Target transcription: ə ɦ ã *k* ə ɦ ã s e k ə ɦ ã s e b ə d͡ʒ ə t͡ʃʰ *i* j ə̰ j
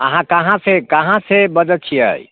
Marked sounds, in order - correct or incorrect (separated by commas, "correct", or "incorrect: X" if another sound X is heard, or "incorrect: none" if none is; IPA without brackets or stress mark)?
correct, correct